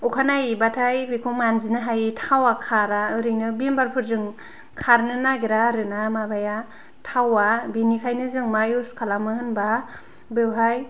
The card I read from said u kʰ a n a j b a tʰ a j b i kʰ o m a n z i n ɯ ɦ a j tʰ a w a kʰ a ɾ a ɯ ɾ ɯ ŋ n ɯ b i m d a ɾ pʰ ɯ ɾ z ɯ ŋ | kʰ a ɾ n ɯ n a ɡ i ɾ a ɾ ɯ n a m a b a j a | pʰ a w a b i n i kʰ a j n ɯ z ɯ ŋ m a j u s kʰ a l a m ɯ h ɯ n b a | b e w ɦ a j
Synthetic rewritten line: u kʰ a n a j b a tʰ a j b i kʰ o m a n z i n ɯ ɦ a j tʰ a w a kʰ a ɾ a ɯ ɾ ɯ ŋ n ɯ b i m b a ɾ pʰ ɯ ɾ z ɯ ŋ | kʰ a ɾ n ɯ n a ɡ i ɾ a ɾ ɯ n a m a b a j a | tʰ a w a b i n i kʰ a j n ɯ z ɯ ŋ m a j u s kʰ a l a m ɯ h ɯ n b a | b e w ɦ a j